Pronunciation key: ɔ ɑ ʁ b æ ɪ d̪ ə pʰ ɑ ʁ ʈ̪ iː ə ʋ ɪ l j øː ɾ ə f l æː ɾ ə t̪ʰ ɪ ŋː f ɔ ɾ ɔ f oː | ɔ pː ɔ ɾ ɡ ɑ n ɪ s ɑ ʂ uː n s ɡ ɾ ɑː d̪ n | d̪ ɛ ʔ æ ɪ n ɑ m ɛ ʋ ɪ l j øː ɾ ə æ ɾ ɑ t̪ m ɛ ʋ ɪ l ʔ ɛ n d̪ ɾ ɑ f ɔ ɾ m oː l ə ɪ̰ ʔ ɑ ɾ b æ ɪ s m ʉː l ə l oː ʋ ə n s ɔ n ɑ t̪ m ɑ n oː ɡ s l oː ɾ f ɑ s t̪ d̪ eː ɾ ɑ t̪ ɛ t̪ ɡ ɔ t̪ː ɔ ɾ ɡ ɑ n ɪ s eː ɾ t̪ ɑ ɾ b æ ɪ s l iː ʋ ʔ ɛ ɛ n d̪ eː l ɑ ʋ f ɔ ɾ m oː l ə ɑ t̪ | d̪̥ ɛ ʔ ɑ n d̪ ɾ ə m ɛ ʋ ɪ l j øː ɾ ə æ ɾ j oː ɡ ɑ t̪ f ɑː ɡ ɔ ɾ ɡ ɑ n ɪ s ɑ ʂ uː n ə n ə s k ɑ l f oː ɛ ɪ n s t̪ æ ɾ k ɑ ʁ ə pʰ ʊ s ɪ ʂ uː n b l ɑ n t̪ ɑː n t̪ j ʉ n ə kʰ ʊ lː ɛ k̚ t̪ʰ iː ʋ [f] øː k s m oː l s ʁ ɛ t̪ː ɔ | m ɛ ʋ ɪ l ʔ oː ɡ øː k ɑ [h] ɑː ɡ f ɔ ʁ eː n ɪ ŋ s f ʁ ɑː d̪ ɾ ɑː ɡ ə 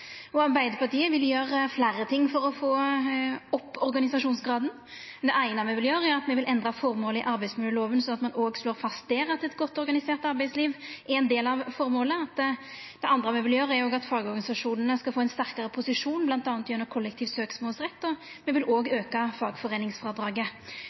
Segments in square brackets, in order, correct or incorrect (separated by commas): incorrect, incorrect